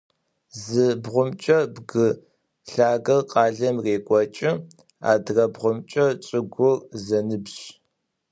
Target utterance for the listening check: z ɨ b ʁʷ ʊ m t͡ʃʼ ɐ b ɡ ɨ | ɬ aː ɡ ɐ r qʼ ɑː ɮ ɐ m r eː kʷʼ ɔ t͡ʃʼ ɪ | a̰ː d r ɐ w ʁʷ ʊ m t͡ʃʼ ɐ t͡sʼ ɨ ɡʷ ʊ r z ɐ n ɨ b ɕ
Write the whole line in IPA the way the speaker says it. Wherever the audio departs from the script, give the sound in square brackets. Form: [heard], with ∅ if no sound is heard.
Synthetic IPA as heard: z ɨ b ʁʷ ʊ m t͡ʃʼ ɐ b ɡ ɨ | ɬ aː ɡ ɐ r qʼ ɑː ɮ ɐ m r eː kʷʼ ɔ t͡ʃʼ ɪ | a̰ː d r ɐ [b] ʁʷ ʊ m t͡ʃʼ ɐ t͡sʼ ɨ ɡʷ ʊ r z ɐ n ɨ b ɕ